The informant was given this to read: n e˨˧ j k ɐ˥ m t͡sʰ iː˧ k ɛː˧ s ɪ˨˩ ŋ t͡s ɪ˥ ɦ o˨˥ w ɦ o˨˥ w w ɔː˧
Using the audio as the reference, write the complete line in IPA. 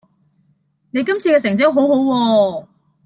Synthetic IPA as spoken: n e˨˧ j k ɐ˥ m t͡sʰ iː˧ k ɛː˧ s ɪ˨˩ ŋ t͡s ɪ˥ ɦ o˨˥ w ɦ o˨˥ w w ɔː˧